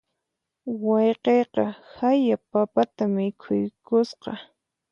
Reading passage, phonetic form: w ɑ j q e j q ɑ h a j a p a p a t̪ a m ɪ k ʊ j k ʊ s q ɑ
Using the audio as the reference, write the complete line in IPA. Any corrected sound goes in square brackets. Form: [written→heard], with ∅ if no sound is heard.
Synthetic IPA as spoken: w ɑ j q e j q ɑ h a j a p a p a t̪ a m ɪ [k→kʰ] ʊ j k ʊ s q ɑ